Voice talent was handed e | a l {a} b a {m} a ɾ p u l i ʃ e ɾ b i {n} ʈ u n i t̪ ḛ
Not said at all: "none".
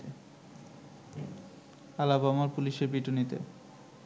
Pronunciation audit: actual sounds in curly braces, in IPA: a, m, none

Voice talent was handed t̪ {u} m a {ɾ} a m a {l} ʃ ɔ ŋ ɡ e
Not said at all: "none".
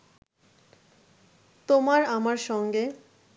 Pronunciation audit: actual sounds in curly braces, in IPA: o, ɾ, ɾ

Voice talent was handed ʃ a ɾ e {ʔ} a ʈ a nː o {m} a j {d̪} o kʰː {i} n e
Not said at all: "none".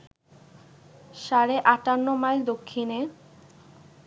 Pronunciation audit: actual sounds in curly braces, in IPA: ʔ, m, d̪, i

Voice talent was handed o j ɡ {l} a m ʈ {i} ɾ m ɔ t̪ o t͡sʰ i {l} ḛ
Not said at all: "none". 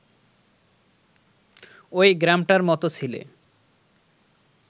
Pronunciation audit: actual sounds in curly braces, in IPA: ɾ, a, l

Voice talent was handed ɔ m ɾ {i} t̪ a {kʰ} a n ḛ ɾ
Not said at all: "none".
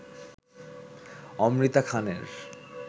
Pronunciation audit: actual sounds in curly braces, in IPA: i, kʰ

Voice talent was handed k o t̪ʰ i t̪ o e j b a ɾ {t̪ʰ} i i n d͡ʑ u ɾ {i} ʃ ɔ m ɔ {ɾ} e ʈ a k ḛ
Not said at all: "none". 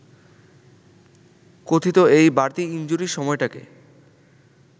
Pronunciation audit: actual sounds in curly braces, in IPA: t̪, i, none

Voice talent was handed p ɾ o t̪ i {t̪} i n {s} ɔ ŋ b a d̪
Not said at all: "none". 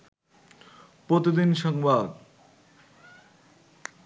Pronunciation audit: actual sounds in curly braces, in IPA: d̪, ʃ

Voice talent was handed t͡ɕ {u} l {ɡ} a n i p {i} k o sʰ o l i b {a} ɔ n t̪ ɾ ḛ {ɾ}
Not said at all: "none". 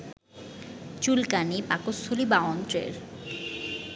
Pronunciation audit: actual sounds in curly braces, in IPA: u, k, a, a, ɾ

